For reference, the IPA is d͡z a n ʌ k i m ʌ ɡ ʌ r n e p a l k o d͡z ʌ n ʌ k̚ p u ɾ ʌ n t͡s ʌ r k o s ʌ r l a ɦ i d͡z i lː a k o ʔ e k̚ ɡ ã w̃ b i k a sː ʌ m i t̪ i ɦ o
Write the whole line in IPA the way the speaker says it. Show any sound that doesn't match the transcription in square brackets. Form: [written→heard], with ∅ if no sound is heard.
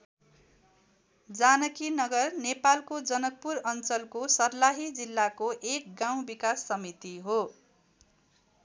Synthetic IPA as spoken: d͡z a n ʌ k i [m→n] ʌ ɡ ʌ r n e p a l k o d͡z ʌ n ʌ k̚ p u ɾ ʌ n t͡s ʌ [r→l] k o s ʌ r l a ɦ i d͡z i lː a k o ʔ e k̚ ɡ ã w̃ b i k a sː ʌ m i t̪ i ɦ o